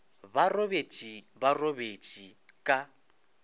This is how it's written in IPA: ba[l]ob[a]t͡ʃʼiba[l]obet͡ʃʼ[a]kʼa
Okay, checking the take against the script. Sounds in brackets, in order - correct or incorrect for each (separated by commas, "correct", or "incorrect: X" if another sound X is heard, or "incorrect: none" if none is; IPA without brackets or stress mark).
incorrect: r, incorrect: e, incorrect: r, incorrect: i